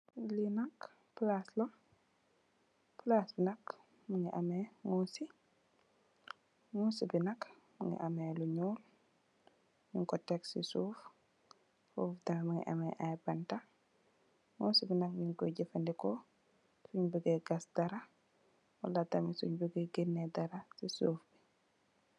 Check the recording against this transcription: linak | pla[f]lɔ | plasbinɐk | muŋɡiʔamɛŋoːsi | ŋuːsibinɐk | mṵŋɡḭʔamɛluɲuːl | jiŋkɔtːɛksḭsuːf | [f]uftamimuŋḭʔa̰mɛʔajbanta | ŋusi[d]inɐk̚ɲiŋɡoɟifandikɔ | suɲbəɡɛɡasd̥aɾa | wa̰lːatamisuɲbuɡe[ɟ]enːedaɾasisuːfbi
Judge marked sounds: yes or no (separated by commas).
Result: no, yes, no, no